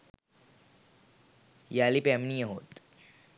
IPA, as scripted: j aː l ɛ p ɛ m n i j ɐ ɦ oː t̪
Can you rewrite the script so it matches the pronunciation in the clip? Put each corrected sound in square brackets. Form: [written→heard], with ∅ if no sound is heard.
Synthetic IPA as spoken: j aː l [ɛ→i] p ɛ m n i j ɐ ɦ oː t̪